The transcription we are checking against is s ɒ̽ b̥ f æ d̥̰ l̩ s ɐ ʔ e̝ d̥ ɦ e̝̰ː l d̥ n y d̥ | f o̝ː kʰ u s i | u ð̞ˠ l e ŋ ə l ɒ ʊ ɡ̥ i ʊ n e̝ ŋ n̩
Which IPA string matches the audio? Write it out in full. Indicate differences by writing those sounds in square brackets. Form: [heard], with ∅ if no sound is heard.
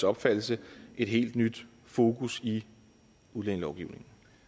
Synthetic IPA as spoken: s ɒ̽ b̥ f æ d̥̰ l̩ s [ə] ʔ e̝ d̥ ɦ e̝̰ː l d̥ n y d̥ | f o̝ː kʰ u s i | u ð̞ˠ l e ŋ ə l ɒ ʊ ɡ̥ i ʊ n e̝ ŋ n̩